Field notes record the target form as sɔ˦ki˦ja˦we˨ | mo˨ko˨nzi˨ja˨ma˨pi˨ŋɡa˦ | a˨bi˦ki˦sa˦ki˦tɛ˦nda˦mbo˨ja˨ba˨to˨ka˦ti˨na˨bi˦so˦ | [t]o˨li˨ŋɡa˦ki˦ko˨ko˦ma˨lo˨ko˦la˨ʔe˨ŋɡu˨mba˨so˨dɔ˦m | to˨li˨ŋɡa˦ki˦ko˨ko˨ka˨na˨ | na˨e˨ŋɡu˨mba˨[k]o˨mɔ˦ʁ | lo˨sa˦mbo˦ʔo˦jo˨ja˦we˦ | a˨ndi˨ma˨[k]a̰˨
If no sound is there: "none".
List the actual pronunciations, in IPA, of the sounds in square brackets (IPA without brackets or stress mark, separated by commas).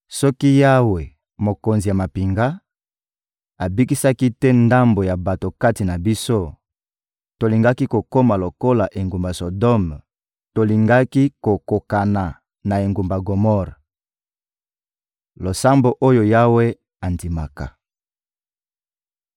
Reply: t, ɡ, k